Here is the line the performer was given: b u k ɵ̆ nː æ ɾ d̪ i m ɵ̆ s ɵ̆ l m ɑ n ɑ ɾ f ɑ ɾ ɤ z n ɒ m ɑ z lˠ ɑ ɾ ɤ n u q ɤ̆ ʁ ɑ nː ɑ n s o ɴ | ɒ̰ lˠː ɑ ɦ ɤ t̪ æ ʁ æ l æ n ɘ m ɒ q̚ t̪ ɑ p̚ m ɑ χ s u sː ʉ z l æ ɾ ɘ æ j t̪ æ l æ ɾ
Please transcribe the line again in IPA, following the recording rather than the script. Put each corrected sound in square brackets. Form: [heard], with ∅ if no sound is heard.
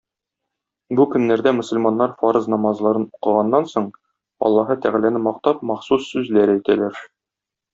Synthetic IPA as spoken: b u k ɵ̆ nː æ ɾ d̪ [æ] m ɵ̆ s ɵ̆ l m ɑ [nː] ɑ ɾ f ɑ ɾ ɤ z n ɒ m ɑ z lˠ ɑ ɾ ɤ n u q ɤ̆ ʁ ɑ nː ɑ n s o ɴ | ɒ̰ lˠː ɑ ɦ ɤ t̪ æ ʁ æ l æ n ɘ m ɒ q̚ t̪ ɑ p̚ m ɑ χ s u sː ʉ z l æ ɾ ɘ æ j t̪ æ l æ ɾ